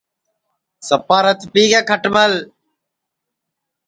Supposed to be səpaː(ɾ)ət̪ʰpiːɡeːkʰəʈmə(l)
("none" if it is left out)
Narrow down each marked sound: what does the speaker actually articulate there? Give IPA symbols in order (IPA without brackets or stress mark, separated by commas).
ɾ, l